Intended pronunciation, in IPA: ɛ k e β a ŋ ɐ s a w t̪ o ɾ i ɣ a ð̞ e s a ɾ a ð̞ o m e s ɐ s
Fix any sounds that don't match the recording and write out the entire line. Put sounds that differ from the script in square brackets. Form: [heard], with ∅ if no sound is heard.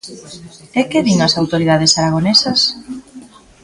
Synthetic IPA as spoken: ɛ k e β [i] ŋ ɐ s a w t̪ o ɾ i [ð] a ð̞ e s a ɾ a [ɣ̞] o [n] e s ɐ s